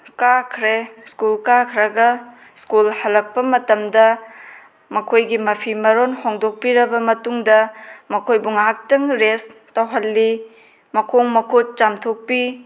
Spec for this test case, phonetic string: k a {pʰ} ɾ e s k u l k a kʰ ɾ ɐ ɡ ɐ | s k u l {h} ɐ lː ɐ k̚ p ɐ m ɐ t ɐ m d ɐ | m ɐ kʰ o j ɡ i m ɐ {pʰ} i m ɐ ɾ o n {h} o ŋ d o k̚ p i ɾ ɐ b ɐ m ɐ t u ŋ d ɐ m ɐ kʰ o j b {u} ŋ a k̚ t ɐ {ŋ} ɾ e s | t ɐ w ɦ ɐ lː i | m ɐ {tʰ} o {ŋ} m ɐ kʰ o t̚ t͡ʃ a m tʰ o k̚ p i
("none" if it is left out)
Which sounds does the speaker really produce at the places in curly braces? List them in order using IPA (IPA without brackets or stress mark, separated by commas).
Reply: kʰ, h, pʰ, h, u, ŋ, kʰ, ŋ